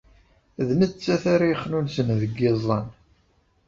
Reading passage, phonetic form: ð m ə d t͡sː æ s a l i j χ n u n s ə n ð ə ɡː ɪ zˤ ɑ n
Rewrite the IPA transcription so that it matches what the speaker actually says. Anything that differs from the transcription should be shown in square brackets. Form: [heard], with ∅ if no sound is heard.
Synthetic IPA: ð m ə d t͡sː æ [θ] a [ɾ] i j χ n u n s ə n ð ə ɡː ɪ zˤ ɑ n